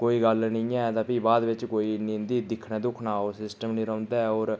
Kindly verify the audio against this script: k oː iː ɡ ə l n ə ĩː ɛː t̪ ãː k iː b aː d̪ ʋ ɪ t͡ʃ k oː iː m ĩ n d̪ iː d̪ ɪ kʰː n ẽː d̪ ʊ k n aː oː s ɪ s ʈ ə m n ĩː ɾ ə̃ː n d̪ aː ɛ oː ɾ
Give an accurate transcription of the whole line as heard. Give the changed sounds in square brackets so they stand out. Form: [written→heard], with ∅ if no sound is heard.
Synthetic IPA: k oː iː ɡ ə l n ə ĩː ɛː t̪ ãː [k→p] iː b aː d̪ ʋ ɪ t͡ʃ k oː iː [m→n] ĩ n d̪ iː d̪ ɪ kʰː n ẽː d̪ ʊ [k→kʰ] n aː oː s ɪ s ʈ ə m n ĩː ɾ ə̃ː n d̪ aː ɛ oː ɾ